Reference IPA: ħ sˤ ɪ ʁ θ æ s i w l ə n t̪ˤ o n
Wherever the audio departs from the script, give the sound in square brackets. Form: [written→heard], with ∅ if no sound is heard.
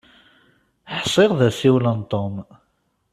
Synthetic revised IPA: ħ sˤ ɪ ʁ [θ→ð] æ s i w l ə n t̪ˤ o [n→m]